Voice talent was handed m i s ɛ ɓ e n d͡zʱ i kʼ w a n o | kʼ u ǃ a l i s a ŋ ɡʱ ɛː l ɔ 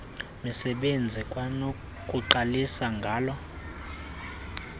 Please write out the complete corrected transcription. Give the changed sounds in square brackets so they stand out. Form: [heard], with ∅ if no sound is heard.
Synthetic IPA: m i s ɛ ɓ e n d͡zʱ i kʼ w a n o | kʼ u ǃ a l i s a ŋ ɡʱ [aː] l ɔ